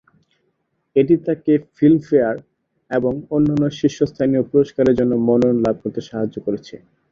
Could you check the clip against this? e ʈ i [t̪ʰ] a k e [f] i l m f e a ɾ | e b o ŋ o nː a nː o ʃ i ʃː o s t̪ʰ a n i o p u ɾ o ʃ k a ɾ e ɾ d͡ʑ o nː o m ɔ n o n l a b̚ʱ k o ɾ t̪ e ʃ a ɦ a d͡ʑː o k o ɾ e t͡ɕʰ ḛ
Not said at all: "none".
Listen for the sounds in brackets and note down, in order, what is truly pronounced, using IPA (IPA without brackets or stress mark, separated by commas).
t̪, f